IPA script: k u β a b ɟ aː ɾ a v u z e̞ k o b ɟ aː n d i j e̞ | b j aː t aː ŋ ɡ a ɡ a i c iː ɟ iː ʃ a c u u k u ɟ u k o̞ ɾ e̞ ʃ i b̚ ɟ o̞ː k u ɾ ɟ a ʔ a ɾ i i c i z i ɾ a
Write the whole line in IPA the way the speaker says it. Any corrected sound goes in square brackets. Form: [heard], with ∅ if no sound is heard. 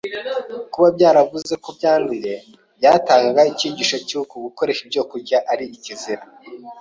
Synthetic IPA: k u β a b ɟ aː ɾ a v u z e̞ k o b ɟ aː n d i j e̞ | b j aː t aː ŋ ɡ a ɡ a i c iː ɟ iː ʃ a c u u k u [ɡ] u k o̞ ɾ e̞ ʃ i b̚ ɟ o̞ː k u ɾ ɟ a ʔ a ɾ i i c i z i ɾ a